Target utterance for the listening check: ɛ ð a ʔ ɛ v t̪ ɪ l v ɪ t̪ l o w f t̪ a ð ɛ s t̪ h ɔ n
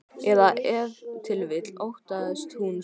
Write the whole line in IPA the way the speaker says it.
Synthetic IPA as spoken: ɛ ð a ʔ ɛ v t̪ʰ ɪ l v ɪ t̪ l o w h t̪ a ð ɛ s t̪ h u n